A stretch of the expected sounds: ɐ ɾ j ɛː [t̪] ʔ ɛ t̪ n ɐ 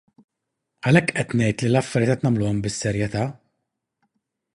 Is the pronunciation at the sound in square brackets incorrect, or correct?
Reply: correct